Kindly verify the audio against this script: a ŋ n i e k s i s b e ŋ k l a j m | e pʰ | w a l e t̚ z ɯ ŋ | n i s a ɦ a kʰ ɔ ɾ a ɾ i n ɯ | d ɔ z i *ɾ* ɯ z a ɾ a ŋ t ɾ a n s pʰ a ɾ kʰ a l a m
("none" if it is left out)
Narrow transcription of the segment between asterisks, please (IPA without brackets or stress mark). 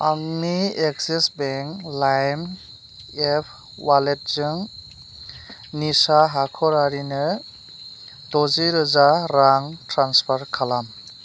ɾ